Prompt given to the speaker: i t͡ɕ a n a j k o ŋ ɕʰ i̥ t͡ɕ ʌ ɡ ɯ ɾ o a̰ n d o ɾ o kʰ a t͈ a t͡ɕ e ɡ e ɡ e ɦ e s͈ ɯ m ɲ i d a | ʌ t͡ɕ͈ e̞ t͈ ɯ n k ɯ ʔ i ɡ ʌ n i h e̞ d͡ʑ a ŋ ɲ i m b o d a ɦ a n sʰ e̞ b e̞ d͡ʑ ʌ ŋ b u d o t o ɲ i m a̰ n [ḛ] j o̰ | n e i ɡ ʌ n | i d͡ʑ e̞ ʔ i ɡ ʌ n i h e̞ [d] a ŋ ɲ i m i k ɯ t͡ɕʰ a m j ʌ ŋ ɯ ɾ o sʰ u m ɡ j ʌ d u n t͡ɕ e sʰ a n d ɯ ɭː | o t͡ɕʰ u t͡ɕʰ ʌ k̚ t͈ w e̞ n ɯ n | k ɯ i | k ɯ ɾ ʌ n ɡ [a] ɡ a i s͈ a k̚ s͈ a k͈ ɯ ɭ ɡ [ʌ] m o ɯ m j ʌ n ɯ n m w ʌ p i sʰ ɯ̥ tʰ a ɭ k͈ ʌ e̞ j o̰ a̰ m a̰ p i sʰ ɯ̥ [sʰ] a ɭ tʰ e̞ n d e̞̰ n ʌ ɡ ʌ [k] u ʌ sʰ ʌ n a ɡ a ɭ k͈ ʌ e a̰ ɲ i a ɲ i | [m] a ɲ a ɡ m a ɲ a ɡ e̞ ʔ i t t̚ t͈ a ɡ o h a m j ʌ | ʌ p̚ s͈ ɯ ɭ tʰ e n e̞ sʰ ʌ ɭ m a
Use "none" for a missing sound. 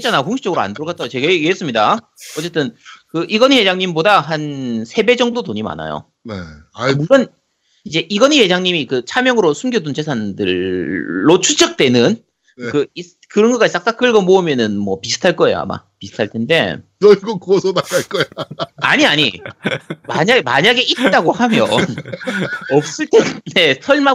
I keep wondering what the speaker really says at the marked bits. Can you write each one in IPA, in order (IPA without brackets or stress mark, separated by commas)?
a̰, d͡ʑ, ʌ, ʌ, tʰ, k, m